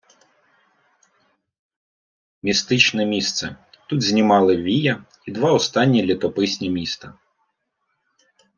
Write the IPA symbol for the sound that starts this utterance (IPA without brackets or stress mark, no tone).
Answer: mʲ